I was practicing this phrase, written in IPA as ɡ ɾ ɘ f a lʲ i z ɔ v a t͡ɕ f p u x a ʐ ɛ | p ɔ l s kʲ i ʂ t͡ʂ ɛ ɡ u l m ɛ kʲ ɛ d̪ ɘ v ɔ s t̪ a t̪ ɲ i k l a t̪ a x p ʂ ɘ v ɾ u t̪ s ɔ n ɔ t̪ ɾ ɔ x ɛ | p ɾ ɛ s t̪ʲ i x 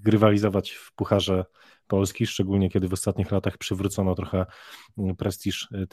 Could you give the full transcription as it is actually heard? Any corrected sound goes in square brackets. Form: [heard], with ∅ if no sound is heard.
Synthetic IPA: ɡ ɾ ɘ [v] a lʲ i z ɔ v a t͡ɕ f p u x a ʐ ɛ | p ɔ l s kʲ i ʂ t͡ʂ ɛ ɡ u l [ɲ] ɛ kʲ ɛ d̪ ɘ v ɔ s t̪ a t̪ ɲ i [x] l a t̪ a x p ʂ ɘ v ɾ u t̪ s ɔ n ɔ t̪ ɾ ɔ x ɛ | p ɾ ɛ s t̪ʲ i [ʂ]